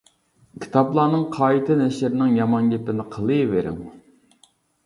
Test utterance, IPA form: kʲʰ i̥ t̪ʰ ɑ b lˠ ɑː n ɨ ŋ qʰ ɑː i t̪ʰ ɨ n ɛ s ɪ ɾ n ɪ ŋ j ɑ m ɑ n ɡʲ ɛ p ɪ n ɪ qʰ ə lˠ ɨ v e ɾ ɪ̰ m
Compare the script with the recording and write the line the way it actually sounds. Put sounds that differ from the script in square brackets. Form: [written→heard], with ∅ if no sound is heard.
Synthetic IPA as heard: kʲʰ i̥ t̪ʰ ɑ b lˠ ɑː n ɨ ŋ qʰ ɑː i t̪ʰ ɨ n ɛ [s→ʃ] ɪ ɾ n ɪ ŋ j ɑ m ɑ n ɡʲ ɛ p ɪ n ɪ qʰ ə lˠ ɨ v e ɾ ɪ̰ [m→ŋ]

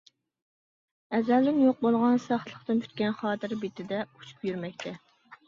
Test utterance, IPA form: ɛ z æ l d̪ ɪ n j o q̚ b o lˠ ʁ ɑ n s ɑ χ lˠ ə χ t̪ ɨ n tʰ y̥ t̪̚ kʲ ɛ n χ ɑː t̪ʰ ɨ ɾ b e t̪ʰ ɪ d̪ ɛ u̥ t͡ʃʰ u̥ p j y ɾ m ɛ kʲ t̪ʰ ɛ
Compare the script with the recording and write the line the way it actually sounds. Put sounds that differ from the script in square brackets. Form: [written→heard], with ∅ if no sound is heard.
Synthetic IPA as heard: ɛ z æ l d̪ ɪ n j o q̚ b o lˠ ʁ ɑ n s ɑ χ lˠ ə χ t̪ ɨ n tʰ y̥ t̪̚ kʲ ɛ n χ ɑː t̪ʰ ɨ ɾ b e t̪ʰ ɪ d̪ ɛ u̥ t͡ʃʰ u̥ p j y ɾ m ɛ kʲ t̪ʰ ɛ

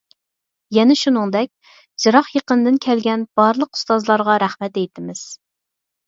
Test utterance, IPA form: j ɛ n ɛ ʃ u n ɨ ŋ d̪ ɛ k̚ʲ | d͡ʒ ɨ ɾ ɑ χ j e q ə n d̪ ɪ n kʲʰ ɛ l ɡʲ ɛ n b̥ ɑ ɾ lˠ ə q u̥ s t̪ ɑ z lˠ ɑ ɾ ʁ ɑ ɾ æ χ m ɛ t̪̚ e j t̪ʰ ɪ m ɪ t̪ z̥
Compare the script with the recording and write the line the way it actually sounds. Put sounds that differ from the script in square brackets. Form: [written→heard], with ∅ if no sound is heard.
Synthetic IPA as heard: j ɛ n ɛ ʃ u n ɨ ŋ d̪ ɛ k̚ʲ | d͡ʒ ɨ ɾ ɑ χ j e q ə n d̪ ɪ n kʲʰ ɛ l ɡʲ ɛ n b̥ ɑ ɾ lˠ ə q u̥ s t̪ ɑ z lˠ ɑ ɾ ʁ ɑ ɾ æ χ m ɛ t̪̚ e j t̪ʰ ɪ m ɪ [t̪→∅] z̥

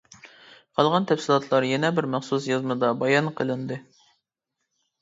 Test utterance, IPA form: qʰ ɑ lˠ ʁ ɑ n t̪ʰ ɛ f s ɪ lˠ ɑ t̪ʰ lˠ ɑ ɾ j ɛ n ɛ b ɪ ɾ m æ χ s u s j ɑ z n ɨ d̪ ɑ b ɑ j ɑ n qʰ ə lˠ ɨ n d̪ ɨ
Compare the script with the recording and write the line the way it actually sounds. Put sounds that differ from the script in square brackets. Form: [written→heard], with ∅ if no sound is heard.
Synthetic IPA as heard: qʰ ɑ lˠ ʁ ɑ n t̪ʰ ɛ f s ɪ lˠ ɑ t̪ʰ lˠ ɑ ɾ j ɛ n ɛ b ɪ ɾ m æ χ s u s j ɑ z [n→m] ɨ d̪ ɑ b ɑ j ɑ n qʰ ə lˠ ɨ n d̪ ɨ

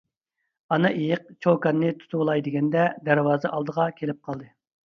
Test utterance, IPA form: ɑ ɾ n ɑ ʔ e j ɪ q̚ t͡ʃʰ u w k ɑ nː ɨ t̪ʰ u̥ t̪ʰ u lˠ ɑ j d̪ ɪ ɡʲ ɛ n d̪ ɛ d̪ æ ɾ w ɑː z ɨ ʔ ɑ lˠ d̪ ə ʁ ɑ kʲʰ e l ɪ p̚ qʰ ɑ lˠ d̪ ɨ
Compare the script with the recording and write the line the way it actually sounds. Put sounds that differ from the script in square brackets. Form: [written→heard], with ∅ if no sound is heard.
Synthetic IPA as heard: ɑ [ɾ→∅] n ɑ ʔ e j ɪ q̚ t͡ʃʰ [u→o] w k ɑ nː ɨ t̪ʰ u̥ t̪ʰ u lˠ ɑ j d̪ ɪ ɡʲ ɛ n d̪ ɛ d̪ æ ɾ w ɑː z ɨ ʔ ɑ lˠ d̪ ə ʁ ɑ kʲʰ e l ɪ p̚ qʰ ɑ lˠ d̪ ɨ

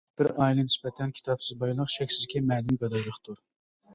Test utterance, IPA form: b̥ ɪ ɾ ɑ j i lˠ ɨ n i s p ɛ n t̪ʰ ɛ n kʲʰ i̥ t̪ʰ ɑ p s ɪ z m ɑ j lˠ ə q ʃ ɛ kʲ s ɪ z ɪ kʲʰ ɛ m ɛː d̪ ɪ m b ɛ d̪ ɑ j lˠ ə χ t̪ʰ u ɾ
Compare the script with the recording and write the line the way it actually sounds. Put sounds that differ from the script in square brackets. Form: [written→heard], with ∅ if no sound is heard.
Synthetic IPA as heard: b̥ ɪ ɾ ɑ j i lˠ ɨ n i s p ɛ [n→∅] t̪ʰ ɛ n kʲʰ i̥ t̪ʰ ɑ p s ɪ z [m→b] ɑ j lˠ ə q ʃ ɛ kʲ s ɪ z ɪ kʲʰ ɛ m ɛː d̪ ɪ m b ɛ d̪ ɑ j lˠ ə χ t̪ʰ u ɾ

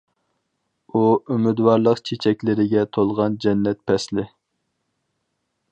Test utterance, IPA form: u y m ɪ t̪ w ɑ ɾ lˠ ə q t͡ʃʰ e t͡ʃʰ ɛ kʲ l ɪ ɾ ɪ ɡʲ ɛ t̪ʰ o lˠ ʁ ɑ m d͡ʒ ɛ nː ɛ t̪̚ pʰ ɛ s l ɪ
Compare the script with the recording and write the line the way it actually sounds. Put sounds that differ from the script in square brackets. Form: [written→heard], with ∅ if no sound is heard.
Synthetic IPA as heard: u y m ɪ [t̪→d̪] w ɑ ɾ lˠ ə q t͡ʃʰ e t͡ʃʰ ɛ kʲ l ɪ ɾ ɪ ɡʲ ɛ t̪ʰ o lˠ ʁ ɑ [m→n] d͡ʒ ɛ nː ɛ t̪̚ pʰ ɛ s l ɪ

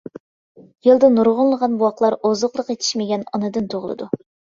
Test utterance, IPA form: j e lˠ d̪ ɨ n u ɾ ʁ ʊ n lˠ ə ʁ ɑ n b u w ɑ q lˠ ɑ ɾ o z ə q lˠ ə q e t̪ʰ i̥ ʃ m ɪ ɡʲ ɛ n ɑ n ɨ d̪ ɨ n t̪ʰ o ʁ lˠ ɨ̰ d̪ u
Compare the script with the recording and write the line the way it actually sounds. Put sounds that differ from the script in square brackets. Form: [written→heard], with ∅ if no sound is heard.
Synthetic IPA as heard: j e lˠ d̪ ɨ n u ɾ ʁ ʊ n lˠ ə ʁ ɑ n b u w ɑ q lˠ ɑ ɾ o z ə q lˠ ə q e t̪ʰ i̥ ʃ m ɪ ɡʲ ɛ n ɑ n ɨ d̪ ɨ n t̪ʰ o ʁ lˠ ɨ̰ d̪ u

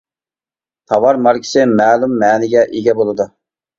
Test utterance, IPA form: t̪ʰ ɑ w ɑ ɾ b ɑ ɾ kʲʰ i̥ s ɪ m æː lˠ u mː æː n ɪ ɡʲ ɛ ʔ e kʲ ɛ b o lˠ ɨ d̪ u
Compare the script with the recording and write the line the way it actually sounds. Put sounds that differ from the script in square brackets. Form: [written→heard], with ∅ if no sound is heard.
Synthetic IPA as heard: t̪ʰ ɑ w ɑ ɾ [b→m] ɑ ɾ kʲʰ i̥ s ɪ m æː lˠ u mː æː n ɪ ɡʲ ɛ ʔ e [kʲ→ɡʲ] ɛ b o lˠ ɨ d̪ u

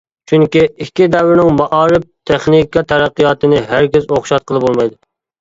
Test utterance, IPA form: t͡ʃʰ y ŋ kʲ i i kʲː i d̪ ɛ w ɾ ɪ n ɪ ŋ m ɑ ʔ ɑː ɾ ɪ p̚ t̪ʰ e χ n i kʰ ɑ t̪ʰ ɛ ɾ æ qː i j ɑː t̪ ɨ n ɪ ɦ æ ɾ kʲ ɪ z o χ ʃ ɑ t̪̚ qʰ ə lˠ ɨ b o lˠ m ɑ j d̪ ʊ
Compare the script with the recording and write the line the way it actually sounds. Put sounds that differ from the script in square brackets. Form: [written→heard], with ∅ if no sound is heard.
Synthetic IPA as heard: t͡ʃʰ y ŋ kʲ i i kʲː i d̪ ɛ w ɾ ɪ n ɪ ŋ m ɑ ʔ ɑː ɾ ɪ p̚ t̪ʰ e χ n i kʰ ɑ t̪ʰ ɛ ɾ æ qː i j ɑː t̪ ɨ n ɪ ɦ æ ɾ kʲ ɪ z o χ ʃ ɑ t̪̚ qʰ ə lˠ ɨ b o lˠ m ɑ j d̪ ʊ

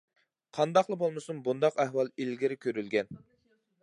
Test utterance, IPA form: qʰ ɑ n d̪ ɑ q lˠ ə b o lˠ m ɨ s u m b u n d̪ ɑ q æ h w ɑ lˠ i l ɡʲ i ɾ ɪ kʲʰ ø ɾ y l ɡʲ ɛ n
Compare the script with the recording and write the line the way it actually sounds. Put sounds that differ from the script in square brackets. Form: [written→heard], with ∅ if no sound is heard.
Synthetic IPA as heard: qʰ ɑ n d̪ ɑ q lˠ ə b o lˠ m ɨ s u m b u n d̪ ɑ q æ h w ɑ lˠ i l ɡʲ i ɾ ɪ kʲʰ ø ɾ y l ɡʲ ɛ n

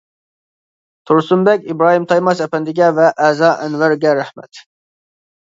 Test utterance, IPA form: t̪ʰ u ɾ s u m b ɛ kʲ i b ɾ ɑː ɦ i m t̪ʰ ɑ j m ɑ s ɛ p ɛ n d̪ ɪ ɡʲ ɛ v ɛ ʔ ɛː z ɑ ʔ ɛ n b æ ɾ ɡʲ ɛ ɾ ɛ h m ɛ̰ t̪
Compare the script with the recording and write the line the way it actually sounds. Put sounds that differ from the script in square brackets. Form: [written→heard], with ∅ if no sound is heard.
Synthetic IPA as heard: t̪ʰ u ɾ s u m b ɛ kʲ i b ɾ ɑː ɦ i m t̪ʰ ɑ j m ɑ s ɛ p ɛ n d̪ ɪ ɡʲ ɛ v ɛ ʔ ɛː z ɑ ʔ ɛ n [b→v] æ ɾ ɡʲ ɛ ɾ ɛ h m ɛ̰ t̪

